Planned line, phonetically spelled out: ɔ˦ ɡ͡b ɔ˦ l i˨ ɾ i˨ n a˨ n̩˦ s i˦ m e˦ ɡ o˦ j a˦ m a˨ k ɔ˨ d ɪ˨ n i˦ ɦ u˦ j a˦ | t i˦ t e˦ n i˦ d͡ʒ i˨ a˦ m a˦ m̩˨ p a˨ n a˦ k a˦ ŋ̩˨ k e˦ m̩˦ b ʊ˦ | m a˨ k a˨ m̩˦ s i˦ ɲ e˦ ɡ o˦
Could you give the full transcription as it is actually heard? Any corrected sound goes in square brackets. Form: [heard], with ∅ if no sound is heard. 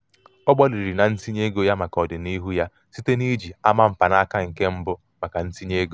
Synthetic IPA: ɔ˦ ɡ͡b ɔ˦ l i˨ ɾ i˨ n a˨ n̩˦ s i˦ [ɲ] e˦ ɡ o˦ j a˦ m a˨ k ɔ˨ d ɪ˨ n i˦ ɦ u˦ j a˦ | [s] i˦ t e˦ n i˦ d͡ʒ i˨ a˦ m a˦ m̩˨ p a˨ n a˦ k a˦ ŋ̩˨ k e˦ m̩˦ b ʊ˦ | m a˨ k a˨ [n̩˦] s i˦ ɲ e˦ ɡ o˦

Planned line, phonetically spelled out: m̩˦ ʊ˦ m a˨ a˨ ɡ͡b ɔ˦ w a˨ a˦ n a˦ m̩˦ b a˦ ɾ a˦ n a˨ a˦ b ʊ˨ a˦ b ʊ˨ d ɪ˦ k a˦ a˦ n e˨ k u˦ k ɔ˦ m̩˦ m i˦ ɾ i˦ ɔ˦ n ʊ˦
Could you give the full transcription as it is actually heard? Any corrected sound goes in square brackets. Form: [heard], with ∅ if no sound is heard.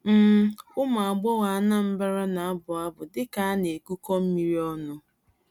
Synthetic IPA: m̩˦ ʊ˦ m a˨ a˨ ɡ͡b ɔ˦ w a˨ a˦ n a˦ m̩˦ b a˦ ɾ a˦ n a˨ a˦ b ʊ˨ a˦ b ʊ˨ d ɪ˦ k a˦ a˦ n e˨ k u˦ k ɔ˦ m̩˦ m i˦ ɾ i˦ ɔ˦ n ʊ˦

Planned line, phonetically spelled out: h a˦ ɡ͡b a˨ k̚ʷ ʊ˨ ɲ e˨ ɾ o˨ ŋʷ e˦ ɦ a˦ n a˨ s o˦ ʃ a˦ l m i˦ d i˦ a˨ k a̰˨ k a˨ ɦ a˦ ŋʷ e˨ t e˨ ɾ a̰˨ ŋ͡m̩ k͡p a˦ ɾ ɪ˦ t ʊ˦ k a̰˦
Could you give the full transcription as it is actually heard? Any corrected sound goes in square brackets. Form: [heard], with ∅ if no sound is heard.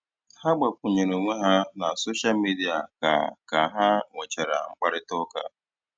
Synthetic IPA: h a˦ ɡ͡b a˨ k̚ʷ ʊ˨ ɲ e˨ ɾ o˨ ŋʷ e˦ ɦ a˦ n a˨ s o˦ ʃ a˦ l m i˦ d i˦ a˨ k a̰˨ k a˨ ɦ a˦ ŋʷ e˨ [t͡ʃ] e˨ ɾ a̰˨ ŋ͡m̩ k͡p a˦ ɾ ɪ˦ t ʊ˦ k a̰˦

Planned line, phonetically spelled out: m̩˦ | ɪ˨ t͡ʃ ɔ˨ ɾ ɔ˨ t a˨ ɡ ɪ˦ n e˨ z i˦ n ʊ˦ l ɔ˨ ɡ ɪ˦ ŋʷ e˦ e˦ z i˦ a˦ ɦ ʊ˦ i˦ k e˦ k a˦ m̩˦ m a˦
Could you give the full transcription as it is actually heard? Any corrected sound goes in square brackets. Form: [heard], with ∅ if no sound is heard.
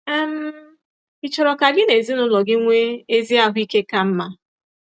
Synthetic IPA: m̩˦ | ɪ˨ t͡ʃ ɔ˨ ɾ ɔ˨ [k] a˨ ɡ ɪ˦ n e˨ z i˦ n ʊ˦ l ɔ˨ ɡ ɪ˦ ŋʷ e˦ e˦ z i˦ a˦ ɦ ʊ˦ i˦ k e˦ k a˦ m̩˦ m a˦

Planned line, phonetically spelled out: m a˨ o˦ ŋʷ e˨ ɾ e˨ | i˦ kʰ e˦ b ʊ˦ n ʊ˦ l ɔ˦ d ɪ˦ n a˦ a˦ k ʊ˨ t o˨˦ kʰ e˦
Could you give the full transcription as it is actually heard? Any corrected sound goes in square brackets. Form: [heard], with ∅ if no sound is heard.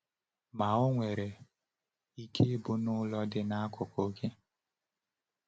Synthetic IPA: m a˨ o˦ ŋʷ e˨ ɾ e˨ | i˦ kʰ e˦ b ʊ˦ n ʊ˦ l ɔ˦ d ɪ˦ n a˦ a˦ k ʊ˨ [k] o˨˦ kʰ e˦

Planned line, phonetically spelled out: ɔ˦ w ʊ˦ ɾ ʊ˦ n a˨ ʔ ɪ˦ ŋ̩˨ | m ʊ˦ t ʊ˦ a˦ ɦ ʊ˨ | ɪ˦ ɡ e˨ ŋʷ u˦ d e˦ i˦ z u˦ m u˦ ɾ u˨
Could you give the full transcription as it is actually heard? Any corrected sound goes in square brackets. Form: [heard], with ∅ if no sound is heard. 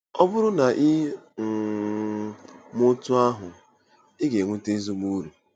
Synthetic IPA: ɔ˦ [b] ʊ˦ ɾ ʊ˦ n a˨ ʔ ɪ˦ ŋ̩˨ | m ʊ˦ t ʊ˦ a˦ ɦ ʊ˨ | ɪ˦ ɡ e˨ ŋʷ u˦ [t] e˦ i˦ z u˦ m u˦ ɾ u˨

